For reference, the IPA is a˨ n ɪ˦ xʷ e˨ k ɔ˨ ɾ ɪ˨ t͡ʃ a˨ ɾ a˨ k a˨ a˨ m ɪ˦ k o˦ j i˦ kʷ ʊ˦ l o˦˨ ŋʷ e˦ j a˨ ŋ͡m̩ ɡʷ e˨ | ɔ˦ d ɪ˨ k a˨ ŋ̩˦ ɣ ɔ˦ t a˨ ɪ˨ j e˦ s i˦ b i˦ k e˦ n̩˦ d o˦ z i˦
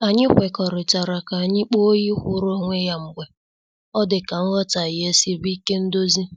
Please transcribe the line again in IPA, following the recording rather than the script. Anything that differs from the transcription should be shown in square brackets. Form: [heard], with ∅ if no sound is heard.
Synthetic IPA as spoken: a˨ [ɲ] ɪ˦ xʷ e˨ k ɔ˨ ɾ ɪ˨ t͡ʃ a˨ ɾ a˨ k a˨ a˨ [ɲ] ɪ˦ [k͡p] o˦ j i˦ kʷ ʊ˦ [ɾ] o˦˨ ŋʷ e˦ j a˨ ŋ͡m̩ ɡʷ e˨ | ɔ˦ d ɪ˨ k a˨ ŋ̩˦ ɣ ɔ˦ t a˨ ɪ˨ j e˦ s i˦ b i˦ k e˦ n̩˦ d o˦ z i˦